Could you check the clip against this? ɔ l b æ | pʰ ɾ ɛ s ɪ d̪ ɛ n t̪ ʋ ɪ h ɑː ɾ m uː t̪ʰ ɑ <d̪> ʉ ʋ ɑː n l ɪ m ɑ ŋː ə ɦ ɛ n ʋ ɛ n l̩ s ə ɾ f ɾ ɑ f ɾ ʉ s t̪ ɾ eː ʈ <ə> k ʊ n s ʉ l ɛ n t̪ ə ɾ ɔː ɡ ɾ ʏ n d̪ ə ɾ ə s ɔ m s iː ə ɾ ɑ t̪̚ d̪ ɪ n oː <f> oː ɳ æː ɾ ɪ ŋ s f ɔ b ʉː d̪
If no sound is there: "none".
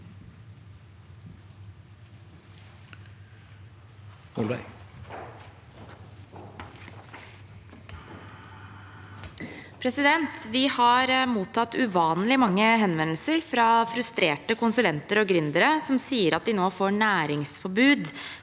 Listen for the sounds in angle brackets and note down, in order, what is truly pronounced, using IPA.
t̪, ə, f

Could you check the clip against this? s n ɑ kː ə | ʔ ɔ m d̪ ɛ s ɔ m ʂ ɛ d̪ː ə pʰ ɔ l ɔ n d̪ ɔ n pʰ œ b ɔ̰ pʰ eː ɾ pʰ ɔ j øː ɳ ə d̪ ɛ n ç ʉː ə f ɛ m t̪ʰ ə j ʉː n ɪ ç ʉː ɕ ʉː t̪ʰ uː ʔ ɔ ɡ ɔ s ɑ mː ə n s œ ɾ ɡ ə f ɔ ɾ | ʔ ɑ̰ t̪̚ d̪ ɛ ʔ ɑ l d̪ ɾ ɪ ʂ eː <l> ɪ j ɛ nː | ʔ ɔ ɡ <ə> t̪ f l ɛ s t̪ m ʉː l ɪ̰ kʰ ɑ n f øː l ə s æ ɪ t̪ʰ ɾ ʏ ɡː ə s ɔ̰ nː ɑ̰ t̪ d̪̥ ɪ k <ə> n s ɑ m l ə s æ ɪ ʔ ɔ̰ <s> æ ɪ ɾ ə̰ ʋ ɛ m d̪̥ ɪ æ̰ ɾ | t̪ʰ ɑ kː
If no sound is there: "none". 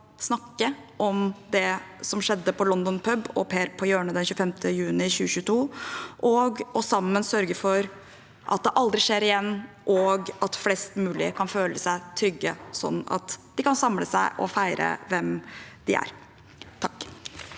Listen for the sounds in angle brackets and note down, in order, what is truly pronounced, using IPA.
ɾ, ɑ, ɑ, f

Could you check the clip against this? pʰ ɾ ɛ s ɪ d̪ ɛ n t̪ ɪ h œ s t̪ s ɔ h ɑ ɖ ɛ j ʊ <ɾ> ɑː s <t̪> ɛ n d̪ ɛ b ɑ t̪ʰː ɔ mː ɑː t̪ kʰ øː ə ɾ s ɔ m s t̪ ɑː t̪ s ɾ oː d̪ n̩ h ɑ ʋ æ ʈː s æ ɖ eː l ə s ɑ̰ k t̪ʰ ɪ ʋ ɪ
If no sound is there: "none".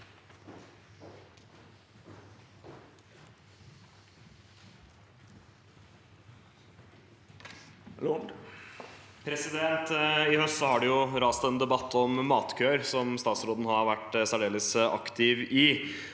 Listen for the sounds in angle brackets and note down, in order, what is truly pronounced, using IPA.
ɾ, t̪

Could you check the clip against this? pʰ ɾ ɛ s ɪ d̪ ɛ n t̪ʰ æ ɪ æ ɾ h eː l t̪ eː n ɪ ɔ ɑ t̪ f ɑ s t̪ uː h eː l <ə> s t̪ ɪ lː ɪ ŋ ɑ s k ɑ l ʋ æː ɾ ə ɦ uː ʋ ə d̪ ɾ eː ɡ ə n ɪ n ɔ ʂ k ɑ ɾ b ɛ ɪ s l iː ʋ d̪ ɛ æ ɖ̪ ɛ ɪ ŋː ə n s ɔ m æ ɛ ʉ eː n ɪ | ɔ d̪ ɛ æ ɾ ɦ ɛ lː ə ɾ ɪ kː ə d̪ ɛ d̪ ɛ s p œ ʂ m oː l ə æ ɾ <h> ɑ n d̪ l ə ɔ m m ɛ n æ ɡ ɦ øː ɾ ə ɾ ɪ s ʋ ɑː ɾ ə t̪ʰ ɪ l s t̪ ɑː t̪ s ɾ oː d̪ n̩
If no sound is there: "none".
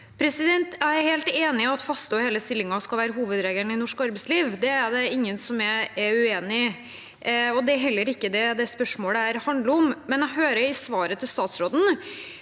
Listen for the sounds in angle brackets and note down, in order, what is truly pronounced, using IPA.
ə, h

